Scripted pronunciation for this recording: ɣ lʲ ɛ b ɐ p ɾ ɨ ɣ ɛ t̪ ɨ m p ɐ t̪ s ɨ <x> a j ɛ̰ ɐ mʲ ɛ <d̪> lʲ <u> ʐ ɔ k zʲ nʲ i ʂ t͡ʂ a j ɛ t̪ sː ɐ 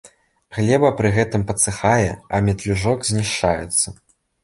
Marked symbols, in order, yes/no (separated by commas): yes, no, yes